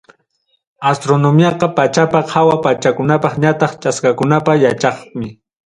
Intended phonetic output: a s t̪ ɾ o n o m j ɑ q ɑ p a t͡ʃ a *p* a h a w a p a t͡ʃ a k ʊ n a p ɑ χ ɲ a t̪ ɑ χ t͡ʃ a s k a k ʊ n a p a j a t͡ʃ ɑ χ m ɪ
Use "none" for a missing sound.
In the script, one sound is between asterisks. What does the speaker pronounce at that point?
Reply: p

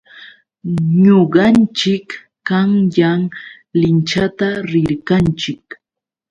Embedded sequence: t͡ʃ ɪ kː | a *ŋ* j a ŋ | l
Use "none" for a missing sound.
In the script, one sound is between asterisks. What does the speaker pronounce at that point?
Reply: ŋ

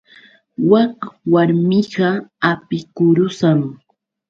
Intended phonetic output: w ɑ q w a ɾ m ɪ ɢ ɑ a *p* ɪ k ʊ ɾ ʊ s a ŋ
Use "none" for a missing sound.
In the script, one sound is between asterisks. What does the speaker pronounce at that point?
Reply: p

